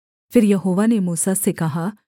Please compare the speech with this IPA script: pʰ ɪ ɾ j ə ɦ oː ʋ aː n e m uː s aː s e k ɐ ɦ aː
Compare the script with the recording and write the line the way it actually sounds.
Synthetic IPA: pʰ ɪ ɾ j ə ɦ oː ʋ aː n e m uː s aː s e k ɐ ɦ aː